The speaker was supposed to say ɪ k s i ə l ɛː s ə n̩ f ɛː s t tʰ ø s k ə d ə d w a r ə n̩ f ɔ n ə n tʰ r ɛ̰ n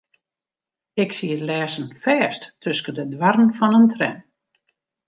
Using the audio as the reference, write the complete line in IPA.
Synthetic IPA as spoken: ɪ k s i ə l ɛː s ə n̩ f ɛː s t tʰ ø s k ə d ə d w a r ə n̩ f ɔ n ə n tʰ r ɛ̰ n